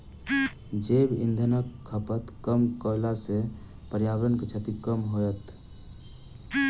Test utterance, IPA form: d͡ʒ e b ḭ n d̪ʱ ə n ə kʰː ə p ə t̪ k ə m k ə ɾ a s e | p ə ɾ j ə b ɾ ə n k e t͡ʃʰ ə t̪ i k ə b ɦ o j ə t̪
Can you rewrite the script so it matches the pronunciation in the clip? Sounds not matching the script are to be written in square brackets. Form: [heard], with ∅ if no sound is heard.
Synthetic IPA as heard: d͡ʒ e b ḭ n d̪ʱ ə n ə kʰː ə p ə t̪ k ə m k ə [l] a s e | p ə ɾ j [a] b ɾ ə n k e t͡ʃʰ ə t̪ i k ə [m] ɦ o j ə t̪